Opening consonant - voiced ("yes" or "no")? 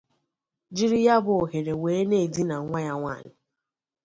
yes